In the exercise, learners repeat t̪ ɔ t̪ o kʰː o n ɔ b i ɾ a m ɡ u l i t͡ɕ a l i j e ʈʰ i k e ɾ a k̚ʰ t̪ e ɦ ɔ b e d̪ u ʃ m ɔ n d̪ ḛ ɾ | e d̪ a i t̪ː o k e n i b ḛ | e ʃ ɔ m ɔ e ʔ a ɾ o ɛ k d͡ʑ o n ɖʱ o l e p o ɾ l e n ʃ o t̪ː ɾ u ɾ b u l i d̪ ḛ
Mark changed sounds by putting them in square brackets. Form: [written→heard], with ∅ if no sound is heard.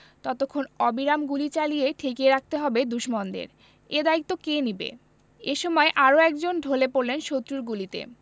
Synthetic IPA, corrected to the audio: t̪ ɔ t̪ o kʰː o n ɔ b i ɾ a m ɡ u l i t͡ɕ a l i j e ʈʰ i k e ɾ a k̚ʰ t̪ e ɦ ɔ b e d̪ u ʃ m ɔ n d̪ ḛ ɾ | e d̪ a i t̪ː o k e n i b ḛ | e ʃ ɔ m ɔ e ʔ a ɾ o ɛ k d͡ʑ o n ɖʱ o l e p o ɾ l e n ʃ o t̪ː ɾ u ɾ [b→ɡ] u l i [d̪→t̪] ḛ